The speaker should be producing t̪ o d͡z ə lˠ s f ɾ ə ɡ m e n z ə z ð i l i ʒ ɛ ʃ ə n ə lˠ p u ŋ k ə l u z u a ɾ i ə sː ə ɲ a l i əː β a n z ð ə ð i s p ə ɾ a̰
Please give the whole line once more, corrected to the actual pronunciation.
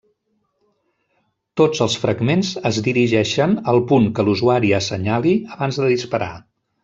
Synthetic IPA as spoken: t̪ o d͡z ə lˠ s f ɾ ə ɡ m e n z ə z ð i ɾ i ʒ ɛ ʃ ə n ə lˠ p u ŋ k ə l u z u a ɾ i ə s ə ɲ a l i ə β a n z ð ə ð i s p ə ɾ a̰

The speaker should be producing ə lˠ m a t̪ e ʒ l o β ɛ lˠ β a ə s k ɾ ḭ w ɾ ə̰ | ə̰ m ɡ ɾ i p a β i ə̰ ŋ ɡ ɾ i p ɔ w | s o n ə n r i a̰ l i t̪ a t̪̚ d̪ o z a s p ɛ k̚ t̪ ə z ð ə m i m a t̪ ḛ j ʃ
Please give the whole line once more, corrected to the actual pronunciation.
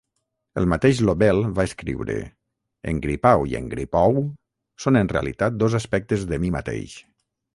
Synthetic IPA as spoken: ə lˠ m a t̪ e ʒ l o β ɛ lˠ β a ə s k ɾ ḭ w ɾ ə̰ | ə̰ ŋ ɡ ɾ i p a w i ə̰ ŋ ɡ ɾ i p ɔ w | s o n ə n r e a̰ l i t̪ a t̪̚ d̪ o z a s p ɛ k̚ t̪ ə z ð ə m i m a t̪ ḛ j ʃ

